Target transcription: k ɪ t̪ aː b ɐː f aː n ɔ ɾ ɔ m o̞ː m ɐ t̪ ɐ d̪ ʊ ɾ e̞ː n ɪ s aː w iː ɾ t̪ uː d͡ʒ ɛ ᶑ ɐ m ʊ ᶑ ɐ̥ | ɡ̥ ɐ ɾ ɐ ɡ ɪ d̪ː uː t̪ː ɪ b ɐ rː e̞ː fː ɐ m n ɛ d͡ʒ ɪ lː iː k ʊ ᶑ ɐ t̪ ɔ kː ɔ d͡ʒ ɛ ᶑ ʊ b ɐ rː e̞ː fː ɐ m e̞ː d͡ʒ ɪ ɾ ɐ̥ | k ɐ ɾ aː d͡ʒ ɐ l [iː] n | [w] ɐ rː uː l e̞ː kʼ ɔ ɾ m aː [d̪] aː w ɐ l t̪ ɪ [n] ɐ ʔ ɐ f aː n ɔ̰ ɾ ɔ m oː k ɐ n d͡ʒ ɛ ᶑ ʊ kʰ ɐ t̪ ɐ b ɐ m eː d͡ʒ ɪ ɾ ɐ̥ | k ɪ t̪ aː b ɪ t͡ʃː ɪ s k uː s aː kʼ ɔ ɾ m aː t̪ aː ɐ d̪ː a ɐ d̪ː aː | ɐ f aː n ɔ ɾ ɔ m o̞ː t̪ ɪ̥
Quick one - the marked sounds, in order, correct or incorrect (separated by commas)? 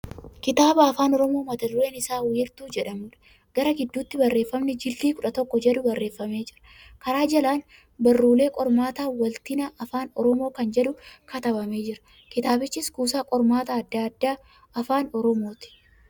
incorrect, incorrect, incorrect, correct